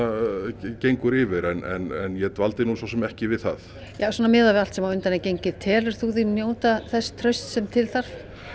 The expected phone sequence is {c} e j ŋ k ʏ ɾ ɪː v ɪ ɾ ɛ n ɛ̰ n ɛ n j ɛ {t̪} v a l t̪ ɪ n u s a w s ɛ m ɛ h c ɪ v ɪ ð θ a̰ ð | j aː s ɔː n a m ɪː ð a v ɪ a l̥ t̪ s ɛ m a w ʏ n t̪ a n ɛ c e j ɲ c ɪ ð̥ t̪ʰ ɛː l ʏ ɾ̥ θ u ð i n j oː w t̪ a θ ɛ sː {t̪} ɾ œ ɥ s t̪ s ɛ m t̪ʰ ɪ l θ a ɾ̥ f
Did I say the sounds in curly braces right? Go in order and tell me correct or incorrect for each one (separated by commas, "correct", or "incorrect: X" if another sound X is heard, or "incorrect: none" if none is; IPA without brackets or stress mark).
correct, correct, incorrect: t̪ʰ